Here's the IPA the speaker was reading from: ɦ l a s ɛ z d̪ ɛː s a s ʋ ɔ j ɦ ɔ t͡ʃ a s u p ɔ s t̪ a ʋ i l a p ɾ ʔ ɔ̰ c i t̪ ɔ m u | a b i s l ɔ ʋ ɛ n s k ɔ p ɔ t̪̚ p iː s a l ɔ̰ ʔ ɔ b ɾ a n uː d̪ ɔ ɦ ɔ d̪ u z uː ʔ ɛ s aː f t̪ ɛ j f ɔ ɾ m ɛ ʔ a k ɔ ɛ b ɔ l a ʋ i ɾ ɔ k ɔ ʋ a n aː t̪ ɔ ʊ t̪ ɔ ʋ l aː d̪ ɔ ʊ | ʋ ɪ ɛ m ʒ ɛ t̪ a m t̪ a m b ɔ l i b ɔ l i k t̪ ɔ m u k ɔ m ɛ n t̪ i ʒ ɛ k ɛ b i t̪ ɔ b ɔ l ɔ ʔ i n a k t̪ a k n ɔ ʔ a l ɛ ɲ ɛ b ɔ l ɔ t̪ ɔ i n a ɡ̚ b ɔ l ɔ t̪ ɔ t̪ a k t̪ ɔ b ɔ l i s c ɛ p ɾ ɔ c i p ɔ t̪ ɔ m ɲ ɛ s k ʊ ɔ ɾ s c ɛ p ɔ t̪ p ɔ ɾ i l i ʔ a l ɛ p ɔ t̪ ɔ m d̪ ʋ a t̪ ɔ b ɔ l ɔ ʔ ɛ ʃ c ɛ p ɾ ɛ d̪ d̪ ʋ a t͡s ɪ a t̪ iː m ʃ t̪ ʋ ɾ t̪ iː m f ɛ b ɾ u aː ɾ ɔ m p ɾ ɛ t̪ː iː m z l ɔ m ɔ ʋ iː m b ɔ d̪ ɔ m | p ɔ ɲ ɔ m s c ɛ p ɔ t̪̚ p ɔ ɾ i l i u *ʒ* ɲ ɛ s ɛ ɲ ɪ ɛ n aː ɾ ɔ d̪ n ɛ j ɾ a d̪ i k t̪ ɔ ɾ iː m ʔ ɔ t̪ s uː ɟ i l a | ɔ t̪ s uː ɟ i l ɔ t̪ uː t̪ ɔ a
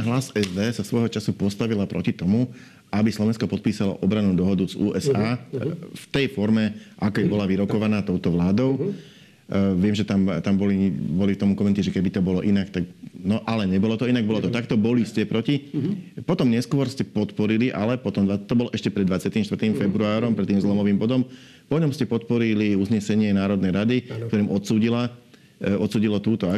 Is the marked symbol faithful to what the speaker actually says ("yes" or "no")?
no